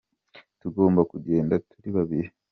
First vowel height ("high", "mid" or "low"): high